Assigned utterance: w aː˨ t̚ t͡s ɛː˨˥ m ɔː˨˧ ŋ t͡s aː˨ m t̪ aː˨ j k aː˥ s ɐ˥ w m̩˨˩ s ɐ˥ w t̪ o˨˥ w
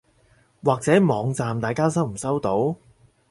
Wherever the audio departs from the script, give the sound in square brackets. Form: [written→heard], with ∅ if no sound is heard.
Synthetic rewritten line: w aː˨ [t̚→k̚] t͡s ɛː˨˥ m ɔː˨˧ ŋ t͡s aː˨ m t̪ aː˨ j k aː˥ s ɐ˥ w m̩˨˩ s ɐ˥ w t̪ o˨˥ w